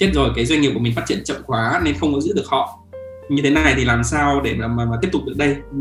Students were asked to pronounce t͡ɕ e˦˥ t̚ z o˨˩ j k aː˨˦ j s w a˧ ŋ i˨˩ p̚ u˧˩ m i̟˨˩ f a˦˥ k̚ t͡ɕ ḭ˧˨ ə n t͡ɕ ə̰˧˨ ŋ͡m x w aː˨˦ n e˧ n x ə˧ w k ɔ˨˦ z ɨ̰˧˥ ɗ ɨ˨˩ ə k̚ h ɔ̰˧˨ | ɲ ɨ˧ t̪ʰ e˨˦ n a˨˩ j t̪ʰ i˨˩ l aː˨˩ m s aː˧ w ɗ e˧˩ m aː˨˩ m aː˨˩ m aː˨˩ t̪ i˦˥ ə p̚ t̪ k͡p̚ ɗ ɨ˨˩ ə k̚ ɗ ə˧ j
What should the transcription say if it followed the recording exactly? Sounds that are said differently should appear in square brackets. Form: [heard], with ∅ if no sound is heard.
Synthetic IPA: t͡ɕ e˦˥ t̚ z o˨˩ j k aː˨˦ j [z] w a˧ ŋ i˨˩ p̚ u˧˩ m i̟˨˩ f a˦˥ [t̚] t͡ɕ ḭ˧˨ ə n t͡ɕ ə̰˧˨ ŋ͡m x w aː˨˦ n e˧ n x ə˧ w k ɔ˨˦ z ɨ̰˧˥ ɗ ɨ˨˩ ə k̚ h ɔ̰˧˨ | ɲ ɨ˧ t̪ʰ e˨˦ n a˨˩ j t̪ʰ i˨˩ l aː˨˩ m s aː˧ w ɗ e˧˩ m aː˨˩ m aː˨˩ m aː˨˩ t̪ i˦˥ ə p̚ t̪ k͡p̚ ɗ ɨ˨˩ ə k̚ ɗ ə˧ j